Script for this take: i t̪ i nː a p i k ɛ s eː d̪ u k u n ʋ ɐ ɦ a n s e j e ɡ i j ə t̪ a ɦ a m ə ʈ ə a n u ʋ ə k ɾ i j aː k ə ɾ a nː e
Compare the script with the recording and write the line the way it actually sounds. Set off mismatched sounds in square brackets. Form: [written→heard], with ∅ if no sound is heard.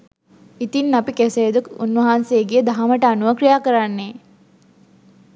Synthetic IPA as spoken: i t̪ i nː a p i k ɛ s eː d̪ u k u n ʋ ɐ ɦ a n s e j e ɡ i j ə [t̪→d̪] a ɦ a m ə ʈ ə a n u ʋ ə k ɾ i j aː k ə ɾ a nː e